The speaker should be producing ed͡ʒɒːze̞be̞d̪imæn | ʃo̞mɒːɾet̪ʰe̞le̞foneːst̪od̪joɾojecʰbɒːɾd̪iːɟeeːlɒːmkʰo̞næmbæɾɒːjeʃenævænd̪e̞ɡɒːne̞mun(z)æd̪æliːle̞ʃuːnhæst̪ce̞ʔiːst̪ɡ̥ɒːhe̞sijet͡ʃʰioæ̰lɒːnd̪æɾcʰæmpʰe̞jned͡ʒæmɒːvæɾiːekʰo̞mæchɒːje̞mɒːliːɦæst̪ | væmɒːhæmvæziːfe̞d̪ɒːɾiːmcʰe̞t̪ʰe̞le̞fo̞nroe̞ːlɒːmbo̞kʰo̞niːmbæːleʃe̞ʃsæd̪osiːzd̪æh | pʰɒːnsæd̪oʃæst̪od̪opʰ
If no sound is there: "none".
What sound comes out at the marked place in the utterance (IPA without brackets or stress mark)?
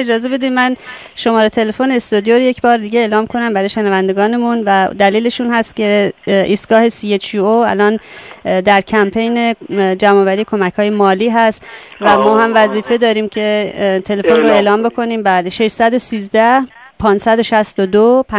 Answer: v